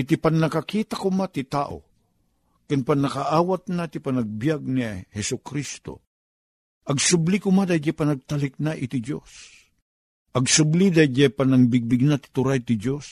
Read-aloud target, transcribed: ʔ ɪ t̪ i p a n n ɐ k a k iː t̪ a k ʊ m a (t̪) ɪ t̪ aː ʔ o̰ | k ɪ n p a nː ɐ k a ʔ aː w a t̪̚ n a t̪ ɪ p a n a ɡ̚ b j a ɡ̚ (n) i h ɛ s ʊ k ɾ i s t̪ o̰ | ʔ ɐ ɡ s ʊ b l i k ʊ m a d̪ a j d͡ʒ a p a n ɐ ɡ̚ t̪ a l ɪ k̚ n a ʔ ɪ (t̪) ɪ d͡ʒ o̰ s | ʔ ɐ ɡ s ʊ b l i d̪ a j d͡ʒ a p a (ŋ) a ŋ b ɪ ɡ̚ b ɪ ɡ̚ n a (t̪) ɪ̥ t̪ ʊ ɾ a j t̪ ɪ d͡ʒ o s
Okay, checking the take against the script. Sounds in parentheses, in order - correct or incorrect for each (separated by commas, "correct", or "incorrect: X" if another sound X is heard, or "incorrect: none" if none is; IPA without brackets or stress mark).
correct, correct, correct, incorrect: n, correct